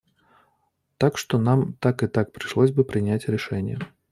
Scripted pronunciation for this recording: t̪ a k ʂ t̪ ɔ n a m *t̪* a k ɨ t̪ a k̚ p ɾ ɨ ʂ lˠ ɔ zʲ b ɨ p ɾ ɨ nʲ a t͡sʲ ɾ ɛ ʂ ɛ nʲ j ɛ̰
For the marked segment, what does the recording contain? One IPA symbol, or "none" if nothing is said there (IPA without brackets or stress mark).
t̪